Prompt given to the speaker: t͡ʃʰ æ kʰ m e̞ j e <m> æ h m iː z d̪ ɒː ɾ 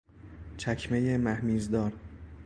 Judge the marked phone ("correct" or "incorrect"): correct